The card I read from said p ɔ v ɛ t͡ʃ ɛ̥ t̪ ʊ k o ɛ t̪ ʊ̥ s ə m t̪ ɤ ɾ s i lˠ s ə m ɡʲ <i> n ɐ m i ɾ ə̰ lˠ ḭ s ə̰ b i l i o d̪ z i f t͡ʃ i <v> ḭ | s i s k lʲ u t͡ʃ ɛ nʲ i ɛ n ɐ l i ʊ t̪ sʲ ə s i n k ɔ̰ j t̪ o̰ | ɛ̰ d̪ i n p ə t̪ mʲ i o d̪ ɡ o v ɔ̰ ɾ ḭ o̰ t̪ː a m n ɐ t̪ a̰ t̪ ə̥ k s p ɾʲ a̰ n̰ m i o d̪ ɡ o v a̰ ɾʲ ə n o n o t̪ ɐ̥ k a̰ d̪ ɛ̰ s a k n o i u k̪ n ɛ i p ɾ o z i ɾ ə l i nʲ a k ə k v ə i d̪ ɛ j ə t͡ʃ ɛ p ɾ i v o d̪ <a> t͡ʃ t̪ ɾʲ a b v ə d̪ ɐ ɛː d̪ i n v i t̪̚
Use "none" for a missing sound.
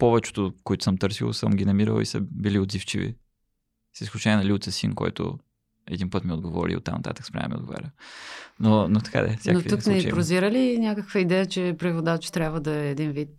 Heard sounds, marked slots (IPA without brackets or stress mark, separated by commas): i, v, a